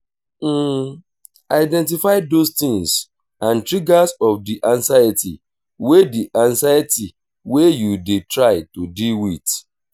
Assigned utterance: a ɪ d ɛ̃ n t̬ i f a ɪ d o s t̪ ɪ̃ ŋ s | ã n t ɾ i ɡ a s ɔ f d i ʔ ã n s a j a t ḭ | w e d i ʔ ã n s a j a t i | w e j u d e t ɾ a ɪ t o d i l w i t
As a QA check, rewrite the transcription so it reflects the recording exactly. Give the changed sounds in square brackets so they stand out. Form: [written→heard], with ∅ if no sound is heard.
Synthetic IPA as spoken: a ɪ d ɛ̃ n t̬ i f a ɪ d o s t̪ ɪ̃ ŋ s | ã n t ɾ i ɡ a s ɔ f d i ʔ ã n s a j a t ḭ | w e d i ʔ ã n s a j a t i | w e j u d e t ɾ a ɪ t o d i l w i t

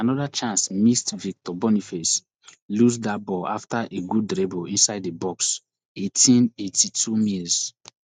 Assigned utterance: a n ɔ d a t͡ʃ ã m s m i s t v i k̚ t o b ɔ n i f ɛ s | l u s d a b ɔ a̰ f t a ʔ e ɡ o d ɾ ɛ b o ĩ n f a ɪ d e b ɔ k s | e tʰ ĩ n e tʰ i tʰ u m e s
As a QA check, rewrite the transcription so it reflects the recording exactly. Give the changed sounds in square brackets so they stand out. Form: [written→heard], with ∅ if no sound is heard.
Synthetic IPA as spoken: a n ɔ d a t͡ʃ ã [m→n] s m i s t v i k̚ t [o→ɔ] b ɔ n i f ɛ s | l u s d a b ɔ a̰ f t a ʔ e ɡ [o→u] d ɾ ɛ b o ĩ n [f→s] a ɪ d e b ɔ k s | e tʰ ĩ n e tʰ i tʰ u m [e→i] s

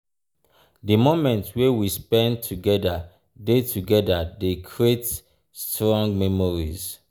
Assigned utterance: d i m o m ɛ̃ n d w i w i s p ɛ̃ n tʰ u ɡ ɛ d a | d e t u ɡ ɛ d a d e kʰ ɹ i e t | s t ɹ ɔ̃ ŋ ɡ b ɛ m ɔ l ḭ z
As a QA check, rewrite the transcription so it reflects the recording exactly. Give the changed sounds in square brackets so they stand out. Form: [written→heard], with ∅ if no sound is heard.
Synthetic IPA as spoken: d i m o m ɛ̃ n [d→t] w [i→e] w i s p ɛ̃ n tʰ u ɡ ɛ d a | d e t u ɡ ɛ d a d e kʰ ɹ i e t | s t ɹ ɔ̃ ŋ ɡ [b→m] ɛ m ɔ [l→ɹ] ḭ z

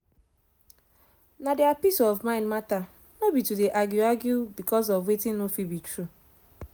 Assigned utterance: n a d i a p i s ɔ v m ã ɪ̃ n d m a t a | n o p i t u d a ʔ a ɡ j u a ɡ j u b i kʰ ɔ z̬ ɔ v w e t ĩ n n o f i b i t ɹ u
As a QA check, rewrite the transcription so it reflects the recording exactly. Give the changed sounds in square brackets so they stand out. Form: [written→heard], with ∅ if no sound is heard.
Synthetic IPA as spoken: n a d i a p i s ɔ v m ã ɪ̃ n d m a t a | n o [p→b] i t u d [a→e] ʔ a ɡ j u a ɡ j u b i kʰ ɔ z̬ ɔ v w e t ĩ n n o f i b i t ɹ u

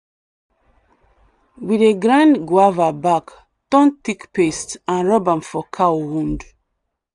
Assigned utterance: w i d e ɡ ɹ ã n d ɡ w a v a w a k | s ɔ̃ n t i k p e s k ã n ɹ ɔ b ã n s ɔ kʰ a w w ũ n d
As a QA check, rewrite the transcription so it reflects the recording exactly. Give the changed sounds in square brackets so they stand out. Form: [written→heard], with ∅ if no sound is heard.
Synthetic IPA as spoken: w i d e ɡ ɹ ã n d ɡ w a v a [w→b] a k | [s→t] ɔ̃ n t i k p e s [k→t] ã n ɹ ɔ b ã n [s→f] ɔ kʰ a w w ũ n d

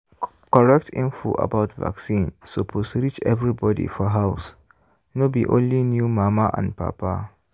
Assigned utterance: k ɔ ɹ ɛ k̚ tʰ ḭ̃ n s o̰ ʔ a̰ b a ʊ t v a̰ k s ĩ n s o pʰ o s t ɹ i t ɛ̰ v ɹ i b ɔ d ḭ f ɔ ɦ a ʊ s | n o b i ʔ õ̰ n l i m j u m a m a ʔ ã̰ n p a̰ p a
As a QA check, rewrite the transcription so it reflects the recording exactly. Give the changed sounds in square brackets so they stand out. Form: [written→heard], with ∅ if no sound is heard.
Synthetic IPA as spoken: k ɔ ɹ ɛ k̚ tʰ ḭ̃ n [s→f] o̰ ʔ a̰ b a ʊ t v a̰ k s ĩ n s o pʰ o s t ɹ i [t→t͡ʃ] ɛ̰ v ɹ i b ɔ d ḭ f ɔ ɦ a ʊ s | n o b i ʔ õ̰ n l i [m→n] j u m a m a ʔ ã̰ n p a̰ p a

